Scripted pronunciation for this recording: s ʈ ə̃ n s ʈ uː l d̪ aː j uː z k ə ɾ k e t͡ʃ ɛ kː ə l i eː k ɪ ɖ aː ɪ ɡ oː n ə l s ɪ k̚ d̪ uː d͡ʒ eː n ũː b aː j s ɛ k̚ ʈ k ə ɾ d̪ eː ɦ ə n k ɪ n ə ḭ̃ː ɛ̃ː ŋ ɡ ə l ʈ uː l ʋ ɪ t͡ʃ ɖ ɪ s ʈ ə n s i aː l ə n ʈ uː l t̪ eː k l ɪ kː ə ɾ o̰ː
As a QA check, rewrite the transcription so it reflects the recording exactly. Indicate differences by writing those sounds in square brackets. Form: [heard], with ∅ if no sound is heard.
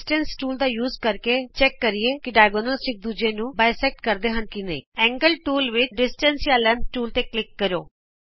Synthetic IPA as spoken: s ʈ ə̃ n s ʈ uː l d̪ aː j uː z k ə ɾ k e t͡ʃ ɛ kː ə [ɾ] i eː k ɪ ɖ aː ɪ ɡ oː n ə l s ɪ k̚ d̪ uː d͡ʒ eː n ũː b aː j s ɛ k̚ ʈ k ə ɾ d̪ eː ɦ ə n k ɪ n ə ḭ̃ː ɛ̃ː ŋ ɡ ə l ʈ uː l ʋ ɪ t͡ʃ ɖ ɪ s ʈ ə n s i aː l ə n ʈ uː l t̪ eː k l ɪ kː ə ɾ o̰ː